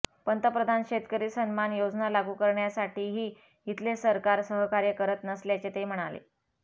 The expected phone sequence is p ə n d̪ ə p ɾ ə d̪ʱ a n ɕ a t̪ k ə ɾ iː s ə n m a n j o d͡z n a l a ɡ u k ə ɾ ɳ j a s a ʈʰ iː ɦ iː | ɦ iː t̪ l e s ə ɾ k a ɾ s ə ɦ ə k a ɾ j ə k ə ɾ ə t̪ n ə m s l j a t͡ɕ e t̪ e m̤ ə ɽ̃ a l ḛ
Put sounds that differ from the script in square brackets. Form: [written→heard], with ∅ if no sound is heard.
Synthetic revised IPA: p ə n [d̪→t̪] ə p ɾ ə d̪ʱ a n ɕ [a→e] t̪ k ə ɾ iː s ə n m a n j o d͡z n a l a ɡ u k ə ɾ ɳ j a s a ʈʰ iː ɦ iː | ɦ [iː→i] t̪ l e s ə ɾ k a ɾ s ə ɦ ə k a ɾ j ə k ə ɾ ə t̪ n ə [m→∅] s l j a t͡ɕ e t̪ e m̤ ə ɽ̃ a l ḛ